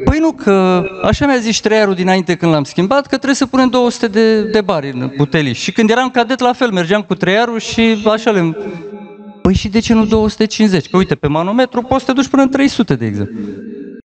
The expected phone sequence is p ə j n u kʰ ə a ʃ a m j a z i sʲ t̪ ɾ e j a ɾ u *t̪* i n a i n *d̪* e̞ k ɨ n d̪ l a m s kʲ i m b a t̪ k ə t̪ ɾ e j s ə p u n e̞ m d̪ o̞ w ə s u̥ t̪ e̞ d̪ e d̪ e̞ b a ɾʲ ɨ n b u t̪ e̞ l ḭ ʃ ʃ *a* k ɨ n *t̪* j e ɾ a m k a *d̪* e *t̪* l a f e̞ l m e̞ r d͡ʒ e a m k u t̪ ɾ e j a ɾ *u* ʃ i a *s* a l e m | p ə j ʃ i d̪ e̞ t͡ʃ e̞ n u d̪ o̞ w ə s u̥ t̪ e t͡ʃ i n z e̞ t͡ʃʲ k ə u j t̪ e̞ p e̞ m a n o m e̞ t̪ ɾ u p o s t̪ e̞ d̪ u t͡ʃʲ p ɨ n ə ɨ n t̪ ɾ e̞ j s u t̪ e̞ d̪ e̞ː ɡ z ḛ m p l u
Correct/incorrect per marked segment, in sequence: incorrect, incorrect, incorrect, incorrect, correct, correct, correct, incorrect

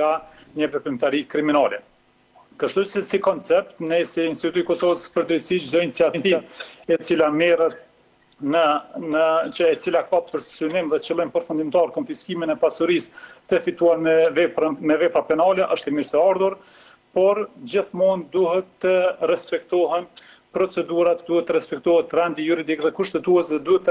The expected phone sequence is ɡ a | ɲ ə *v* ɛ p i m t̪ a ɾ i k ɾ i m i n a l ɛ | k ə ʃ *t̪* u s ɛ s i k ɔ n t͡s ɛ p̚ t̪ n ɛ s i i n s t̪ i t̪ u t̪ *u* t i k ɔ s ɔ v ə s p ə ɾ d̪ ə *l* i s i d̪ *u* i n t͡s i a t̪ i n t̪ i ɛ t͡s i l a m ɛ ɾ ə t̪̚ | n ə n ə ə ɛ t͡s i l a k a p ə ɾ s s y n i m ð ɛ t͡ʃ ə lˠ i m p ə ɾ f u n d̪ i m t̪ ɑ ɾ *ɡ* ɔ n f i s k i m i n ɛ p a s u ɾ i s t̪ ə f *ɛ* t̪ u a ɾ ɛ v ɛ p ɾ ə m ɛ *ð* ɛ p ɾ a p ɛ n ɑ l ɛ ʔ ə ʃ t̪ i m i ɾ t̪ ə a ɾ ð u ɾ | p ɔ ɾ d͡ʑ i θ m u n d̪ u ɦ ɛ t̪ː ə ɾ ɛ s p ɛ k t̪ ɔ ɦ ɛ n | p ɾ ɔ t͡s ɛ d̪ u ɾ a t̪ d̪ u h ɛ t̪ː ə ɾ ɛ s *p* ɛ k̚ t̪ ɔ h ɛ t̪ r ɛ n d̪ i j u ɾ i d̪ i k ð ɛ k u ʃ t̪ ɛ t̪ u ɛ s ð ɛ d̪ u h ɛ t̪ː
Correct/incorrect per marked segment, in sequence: correct, correct, correct, incorrect, incorrect, incorrect, incorrect, incorrect, correct

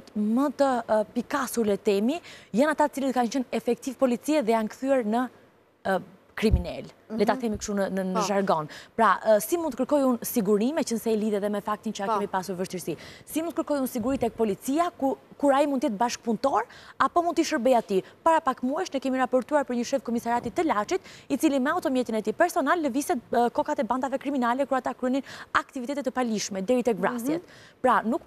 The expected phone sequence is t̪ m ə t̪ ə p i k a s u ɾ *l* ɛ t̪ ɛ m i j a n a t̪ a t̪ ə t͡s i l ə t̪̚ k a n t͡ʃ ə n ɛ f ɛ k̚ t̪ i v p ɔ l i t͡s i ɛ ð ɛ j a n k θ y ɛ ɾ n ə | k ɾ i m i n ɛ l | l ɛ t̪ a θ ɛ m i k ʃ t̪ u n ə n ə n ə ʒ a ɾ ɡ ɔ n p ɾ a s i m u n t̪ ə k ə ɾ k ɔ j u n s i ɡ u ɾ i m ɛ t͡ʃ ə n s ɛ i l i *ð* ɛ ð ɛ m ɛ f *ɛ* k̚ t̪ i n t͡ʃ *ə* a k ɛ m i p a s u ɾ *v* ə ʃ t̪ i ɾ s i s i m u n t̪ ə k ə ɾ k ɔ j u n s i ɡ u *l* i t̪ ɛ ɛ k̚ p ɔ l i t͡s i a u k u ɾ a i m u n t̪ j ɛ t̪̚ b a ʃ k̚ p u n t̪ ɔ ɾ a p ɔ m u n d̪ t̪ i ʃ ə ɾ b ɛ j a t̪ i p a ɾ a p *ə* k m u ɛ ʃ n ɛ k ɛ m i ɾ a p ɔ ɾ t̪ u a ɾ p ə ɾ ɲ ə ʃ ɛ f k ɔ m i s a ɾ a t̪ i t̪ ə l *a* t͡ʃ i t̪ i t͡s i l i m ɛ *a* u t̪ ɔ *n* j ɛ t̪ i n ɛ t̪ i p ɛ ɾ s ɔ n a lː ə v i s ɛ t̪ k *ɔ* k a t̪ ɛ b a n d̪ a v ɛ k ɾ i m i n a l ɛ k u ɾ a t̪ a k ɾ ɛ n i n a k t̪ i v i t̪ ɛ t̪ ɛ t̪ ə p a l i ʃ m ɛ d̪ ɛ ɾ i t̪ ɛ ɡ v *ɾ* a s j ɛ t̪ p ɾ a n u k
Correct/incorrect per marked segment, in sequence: correct, correct, incorrect, correct, correct, incorrect, incorrect, correct, correct, incorrect, correct, correct

